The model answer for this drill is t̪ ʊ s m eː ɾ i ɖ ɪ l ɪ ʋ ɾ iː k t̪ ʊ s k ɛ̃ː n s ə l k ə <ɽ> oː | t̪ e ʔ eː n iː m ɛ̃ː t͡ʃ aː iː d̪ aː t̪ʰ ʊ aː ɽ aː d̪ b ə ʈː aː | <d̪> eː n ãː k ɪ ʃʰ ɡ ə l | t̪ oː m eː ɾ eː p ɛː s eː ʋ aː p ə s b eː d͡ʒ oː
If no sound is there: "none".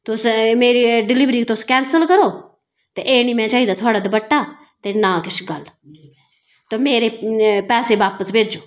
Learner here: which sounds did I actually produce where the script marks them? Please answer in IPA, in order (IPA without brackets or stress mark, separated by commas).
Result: ɾ, t̪